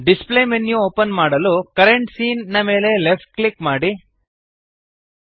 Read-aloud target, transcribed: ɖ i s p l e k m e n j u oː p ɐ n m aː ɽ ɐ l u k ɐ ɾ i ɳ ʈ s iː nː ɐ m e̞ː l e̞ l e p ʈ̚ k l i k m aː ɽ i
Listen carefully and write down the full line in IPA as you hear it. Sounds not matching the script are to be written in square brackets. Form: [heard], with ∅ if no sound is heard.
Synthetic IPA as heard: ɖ i s p l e [∅] m e n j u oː p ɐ n m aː ɽ ɐ l u k ɐ ɾ [e] ɳ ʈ s iː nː ɐ m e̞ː l e̞ l e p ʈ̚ k l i k m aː ɽ i